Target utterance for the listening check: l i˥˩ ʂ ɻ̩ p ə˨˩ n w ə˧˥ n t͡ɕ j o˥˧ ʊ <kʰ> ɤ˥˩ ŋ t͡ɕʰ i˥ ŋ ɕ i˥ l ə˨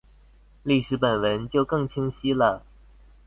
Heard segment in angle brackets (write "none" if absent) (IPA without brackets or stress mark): k